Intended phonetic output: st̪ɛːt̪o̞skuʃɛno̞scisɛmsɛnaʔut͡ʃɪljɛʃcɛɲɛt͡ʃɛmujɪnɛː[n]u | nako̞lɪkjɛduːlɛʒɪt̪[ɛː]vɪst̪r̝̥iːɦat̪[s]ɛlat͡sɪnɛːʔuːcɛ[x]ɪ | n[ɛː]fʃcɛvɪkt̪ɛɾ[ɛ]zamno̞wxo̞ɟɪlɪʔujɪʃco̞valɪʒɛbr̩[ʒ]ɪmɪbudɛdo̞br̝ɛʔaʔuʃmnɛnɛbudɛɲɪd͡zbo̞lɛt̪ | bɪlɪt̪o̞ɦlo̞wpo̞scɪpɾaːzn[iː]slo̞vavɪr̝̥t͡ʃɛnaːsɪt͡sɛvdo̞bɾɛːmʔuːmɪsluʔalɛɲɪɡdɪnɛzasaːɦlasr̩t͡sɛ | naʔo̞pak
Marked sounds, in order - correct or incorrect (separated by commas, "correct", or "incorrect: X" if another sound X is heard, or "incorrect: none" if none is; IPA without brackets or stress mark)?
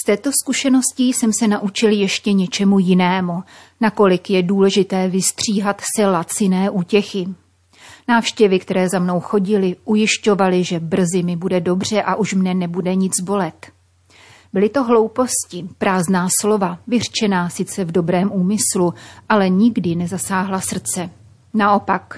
incorrect: m, correct, correct, correct, incorrect: aː, incorrect: ɛː, incorrect: z, incorrect: aː